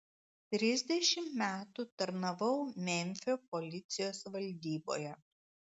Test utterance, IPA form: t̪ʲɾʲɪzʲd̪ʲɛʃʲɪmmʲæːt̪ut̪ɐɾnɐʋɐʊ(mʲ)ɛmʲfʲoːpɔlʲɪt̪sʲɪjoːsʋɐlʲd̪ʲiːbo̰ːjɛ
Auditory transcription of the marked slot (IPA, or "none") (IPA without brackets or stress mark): mʲ